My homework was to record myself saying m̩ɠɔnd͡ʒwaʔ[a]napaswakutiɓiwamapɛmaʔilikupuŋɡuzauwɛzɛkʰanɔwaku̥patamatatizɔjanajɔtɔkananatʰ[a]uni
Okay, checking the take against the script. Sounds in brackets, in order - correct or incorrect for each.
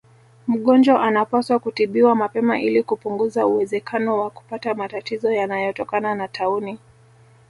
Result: correct, correct

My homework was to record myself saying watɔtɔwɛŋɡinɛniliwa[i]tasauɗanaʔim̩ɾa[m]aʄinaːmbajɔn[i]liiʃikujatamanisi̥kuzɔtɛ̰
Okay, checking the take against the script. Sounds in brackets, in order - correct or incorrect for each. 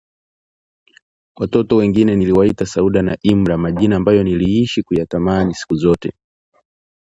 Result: correct, correct, correct

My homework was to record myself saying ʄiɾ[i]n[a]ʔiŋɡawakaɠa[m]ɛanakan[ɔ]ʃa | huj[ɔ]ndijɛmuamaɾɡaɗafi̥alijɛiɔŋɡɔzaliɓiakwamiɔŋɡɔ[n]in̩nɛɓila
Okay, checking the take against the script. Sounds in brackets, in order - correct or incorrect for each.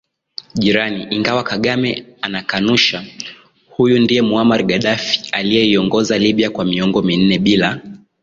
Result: incorrect: a, incorrect: i, correct, incorrect: u, incorrect: u, incorrect: m

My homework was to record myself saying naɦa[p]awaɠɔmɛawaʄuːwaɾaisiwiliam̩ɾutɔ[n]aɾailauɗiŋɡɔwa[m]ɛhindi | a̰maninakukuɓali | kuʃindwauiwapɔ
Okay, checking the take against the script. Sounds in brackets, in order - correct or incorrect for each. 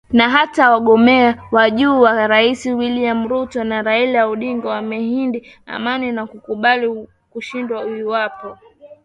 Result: incorrect: t, correct, correct

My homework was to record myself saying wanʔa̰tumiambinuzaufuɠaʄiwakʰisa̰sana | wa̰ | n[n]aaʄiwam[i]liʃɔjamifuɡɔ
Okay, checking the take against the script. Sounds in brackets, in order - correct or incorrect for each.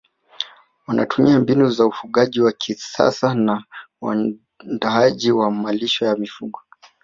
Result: incorrect: d, incorrect: a

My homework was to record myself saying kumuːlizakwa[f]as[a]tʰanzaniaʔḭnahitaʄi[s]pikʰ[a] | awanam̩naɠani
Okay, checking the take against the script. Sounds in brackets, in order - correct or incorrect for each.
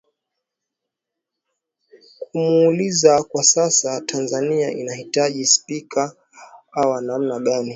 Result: incorrect: s, correct, correct, correct

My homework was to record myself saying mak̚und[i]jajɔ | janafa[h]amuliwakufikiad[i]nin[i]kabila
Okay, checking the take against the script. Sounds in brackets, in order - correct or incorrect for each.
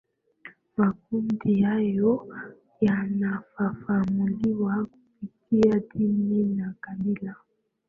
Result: correct, incorrect: f, correct, incorrect: a

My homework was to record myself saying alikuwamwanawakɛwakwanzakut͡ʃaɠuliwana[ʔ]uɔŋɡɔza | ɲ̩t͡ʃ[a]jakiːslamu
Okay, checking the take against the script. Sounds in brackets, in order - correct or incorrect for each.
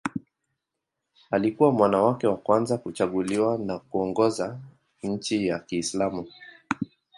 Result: incorrect: k, incorrect: i

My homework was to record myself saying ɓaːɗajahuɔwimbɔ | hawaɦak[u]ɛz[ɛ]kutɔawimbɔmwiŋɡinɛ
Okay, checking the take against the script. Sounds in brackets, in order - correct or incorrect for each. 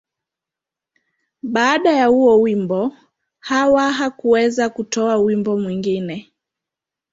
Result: correct, incorrect: a

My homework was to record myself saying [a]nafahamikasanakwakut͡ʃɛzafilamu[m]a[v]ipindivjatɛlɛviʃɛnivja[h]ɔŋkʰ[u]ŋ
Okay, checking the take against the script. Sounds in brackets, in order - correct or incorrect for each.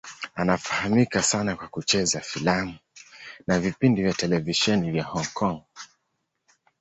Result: correct, incorrect: n, correct, correct, incorrect: ɔ

